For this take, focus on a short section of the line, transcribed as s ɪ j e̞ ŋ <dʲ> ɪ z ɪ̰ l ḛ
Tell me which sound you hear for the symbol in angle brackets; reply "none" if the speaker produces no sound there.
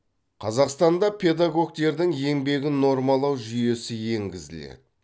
ɡʲ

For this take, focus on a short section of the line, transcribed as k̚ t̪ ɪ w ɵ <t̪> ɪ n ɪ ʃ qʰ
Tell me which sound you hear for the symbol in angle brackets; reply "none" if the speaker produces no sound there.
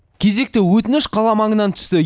t̪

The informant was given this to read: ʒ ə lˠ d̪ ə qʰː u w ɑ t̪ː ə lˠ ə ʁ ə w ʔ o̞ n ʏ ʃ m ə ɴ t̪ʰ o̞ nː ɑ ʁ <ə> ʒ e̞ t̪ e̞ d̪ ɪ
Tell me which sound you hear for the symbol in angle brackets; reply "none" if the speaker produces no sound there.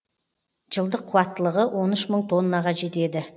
ɑ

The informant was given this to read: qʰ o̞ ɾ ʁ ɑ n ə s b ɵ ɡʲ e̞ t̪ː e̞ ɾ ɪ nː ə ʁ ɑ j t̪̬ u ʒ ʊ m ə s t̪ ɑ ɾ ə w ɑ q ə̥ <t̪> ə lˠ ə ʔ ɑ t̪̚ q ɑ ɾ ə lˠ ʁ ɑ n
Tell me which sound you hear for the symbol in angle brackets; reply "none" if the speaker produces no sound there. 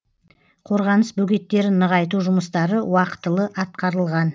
t̪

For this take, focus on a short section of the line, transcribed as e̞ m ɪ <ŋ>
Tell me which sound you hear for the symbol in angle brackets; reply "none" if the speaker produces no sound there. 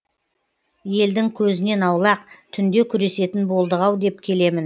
n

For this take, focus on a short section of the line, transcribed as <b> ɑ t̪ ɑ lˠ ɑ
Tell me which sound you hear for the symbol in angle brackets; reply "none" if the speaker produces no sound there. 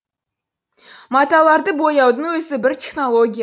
m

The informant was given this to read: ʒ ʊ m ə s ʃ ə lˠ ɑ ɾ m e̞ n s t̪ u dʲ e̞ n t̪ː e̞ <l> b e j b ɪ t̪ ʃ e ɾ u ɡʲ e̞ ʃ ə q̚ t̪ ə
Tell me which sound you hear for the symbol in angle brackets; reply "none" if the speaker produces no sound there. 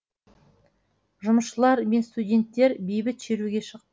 ɾ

